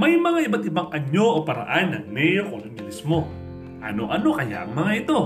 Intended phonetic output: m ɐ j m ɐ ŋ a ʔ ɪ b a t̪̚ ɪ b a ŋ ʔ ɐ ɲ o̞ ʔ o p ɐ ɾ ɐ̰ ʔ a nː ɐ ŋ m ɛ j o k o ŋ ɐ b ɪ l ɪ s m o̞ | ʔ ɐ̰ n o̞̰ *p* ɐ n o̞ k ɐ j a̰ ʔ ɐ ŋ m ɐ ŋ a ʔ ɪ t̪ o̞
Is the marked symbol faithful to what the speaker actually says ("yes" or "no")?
no